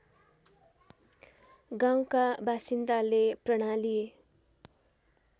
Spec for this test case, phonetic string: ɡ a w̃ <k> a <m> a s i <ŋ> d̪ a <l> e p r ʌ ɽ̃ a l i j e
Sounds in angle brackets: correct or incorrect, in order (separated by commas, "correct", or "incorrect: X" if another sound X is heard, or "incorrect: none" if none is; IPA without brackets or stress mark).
correct, incorrect: b, incorrect: n, correct